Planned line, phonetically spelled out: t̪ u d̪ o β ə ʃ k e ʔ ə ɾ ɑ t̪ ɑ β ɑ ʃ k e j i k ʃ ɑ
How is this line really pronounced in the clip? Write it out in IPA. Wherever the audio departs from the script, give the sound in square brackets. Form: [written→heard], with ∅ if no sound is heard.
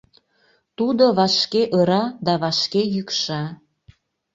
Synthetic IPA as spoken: t̪ u d̪ o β [ə→ɑ] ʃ k e ʔ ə ɾ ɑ [t̪→d̪] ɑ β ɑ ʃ k e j [i→y] k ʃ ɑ